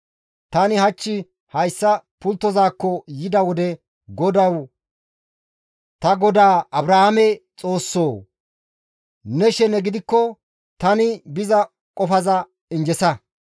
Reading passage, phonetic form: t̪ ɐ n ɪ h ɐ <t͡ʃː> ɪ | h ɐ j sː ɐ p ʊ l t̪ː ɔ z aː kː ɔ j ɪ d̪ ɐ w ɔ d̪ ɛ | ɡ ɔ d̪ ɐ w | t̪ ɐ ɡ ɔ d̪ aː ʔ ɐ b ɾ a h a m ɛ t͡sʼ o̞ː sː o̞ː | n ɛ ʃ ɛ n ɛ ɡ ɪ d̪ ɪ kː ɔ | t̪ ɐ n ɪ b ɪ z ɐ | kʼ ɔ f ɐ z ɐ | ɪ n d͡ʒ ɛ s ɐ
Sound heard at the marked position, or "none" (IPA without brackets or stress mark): t͡ʃː